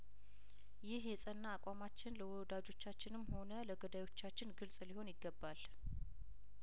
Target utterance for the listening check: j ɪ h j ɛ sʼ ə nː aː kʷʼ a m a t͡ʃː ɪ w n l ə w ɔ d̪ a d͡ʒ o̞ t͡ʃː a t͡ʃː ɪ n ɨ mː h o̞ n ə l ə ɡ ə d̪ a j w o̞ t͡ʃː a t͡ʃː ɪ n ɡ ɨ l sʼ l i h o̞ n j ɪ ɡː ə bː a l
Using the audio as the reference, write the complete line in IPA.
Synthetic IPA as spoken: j ɪ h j ɛ sʼ ə nː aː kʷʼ a m a t͡ʃː ɪ n l ə w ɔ d̪ a d͡ʒ o̞ t͡ʃː a t͡ʃː ɪ n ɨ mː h o̞ n ə l ə ɡ ə d̪ a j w o̞ t͡ʃː a t͡ʃː ɪ n ɡ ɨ l sʼ l i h o̞ n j ɪ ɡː ə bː a l

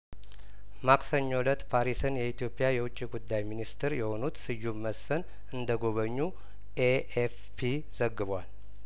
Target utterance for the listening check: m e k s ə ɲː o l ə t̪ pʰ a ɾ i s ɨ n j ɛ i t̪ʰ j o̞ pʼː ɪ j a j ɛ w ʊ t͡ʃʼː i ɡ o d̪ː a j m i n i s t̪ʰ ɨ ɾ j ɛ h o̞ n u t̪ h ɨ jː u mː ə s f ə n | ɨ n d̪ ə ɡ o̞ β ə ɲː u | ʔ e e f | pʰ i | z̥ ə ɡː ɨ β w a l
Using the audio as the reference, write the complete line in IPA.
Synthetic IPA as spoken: m a k s ə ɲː o l ə t̪ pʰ a ɾ i s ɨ n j ɛ i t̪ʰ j o̞ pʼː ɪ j a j ɛ w ʊ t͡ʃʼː i ɡ u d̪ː a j m i n i s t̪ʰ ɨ ɾ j ɛ h o̞ n u t̪ s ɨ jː u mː ə s f ə n | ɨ n d̪ ə ɡ o̞ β ə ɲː u | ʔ e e f | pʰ i | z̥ ə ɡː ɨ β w a l

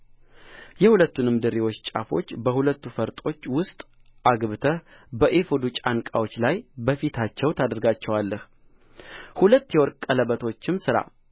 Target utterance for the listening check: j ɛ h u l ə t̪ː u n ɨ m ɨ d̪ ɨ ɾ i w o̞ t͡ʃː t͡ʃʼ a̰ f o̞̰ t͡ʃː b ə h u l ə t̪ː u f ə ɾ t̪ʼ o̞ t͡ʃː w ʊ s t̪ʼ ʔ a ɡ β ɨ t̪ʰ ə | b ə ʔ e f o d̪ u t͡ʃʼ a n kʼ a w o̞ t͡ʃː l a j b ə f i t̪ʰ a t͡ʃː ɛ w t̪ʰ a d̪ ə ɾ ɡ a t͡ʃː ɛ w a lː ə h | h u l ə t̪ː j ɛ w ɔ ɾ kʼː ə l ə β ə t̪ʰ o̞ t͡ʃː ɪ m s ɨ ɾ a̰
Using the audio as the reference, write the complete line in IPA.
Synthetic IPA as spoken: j ɛ h u l ə t̪ː u n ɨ m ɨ d̪ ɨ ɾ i w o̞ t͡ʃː t͡ʃʼ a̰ f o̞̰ t͡ʃː b ə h u l ə t̪ː u f ə ɾ t̪ʼ o̞ t͡ʃː w ʊ s t̪ʼ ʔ a ɡ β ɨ t̪ʰ ə | b ə ʔ e f o d̪ u t͡ʃʼ a n kʼ a w o̞ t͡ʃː l a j b ə f i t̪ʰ a t͡ʃː ɛ w t̪ʰ a d̪ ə ɾ ɡ a t͡ʃː ɛ w a lː ə h | h u l ə t̪ː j ɛ w ɔ ɾ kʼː ə l ə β ə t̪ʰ o̞ t͡ʃː ɪ m s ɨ ɾ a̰

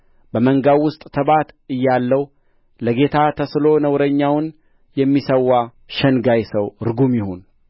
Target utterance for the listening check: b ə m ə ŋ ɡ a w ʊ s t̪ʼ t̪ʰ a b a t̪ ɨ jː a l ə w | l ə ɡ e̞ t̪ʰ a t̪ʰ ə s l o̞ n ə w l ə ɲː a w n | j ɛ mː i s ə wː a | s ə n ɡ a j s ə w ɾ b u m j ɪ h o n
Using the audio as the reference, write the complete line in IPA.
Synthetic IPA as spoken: b ə m ə ŋ ɡ a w ʊ s t̪ʼ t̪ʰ ə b a t̪ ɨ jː a lː ə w | l ə ɡ e̞ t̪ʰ a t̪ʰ ə s l o̞ n ə w ɾ ə ɲː a w n | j ɛ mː i s ə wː a | ʃ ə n ɡ a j s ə w ɾ ɡ u m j ɪ h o n

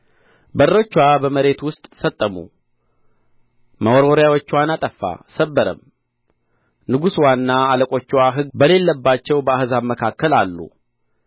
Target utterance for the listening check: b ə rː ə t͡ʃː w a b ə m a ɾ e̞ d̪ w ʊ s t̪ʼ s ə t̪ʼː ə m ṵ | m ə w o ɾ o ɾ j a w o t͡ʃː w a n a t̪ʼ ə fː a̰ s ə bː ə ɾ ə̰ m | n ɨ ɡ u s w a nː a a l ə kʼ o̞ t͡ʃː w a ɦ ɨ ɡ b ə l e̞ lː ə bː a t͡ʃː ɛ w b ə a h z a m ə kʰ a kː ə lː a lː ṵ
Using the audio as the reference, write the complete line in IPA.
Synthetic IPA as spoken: b ə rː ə t͡ʃː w a b ə m ə ɾ e̞ t̪ w ʊ s t̪ʼ s ə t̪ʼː ə m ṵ | m ə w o ɾ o ɾ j a w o t͡ʃː w a n a t̪ʼ ə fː a̰ s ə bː ə ɾ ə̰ m | n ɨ ɡ u s w a nː a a l ə kʼ o̞ t͡ʃː w a ɦ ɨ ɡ b ə l e̞ lː ə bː a t͡ʃː ɛ w b ə a h z a m ə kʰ a kː ə l a lː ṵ

